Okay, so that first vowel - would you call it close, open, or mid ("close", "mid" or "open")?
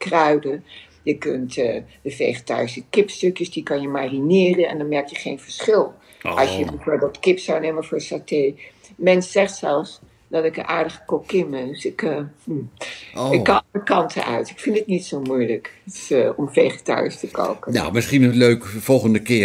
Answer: mid